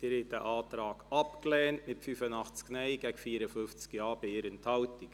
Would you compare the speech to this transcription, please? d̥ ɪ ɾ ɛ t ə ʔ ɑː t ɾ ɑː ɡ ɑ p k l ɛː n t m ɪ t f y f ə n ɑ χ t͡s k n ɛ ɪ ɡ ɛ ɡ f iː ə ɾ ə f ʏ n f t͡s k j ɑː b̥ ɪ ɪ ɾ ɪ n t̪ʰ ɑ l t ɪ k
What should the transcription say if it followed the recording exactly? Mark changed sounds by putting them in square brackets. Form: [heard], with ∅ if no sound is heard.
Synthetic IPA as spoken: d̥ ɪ ɾ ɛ t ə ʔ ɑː t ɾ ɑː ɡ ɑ p k l ɛː n t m ɪ t f y f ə n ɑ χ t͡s k n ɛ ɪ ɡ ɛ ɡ f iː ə ɾ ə f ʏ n f t͡s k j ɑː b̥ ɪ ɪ ɾ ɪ n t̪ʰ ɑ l t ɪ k